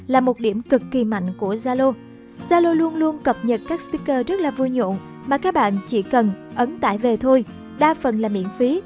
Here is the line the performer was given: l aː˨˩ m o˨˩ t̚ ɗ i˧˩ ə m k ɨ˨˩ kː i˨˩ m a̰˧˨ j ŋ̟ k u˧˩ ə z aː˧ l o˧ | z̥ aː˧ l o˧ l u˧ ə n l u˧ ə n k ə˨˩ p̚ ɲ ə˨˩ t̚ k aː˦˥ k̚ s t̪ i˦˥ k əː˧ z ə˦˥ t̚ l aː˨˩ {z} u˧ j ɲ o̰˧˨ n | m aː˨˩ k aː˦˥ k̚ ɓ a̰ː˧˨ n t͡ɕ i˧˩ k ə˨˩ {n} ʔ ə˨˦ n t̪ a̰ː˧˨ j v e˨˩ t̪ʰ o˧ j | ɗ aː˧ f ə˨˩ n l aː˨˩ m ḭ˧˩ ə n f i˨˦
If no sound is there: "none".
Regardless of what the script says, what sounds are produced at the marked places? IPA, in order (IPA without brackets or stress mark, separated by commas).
v, n